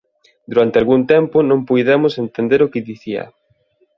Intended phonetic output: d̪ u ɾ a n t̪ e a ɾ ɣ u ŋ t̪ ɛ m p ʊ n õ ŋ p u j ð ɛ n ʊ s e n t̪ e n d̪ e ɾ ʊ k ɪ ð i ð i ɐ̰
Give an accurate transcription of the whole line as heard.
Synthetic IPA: d̪ u ɾ a n t̪ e a l ɣ u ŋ t̪ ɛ m p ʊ n õ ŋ p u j ð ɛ m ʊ s e n t̪ e n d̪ e ɾ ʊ k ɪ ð i θ i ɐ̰

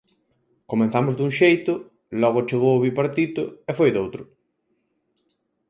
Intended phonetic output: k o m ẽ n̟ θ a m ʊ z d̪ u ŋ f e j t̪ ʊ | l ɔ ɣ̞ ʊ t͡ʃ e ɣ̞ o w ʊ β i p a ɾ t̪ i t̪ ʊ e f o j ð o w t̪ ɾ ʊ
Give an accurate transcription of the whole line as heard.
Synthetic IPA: k o m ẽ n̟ θ a m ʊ z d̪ u ŋ ʃ e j t̪ ʊ | l ɔ ɣ̞ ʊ t͡ʃ e ɣ̞ o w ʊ β i p a ɾ t̪ i t̪ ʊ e f o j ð o w t̪ ɾ ʊ

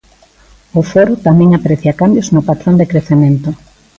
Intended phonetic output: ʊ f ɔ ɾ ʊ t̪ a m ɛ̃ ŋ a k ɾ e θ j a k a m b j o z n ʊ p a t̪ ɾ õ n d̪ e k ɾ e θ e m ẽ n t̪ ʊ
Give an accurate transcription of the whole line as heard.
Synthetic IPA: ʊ f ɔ ɾ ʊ t̪ a m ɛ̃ ŋ a p ɾ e θ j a k a m b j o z n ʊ p a t̪ ɾ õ n d̪ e k ɾ e θ e m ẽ n t̪ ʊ

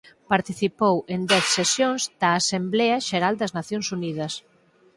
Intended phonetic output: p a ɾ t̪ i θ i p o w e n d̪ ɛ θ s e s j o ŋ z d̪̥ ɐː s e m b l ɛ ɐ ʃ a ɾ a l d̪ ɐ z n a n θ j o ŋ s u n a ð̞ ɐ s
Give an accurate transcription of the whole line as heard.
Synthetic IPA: p a ɾ t̪ i θ i p o w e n d̪ ɛ θ s e s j o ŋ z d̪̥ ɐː s e m b l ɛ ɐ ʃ e ɾ a l d̪ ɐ z n a θ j o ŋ s u n i ð̞ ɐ s

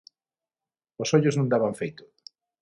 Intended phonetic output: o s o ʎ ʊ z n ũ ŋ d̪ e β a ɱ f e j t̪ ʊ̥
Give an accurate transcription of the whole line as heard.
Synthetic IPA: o s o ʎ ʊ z n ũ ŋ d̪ a β a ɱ f e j t̪ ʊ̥

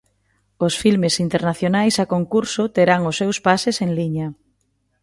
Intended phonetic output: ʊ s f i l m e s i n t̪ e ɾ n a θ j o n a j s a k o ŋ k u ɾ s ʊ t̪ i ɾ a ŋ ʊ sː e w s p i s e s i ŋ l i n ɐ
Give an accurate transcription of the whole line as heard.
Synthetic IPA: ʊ s f i l m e s i n t̪ e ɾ n a θ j o n a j s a k o ŋ k u ɾ s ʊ t̪ e ɾ a ŋ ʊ sː e w s p a s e s e ŋ l i ɲ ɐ

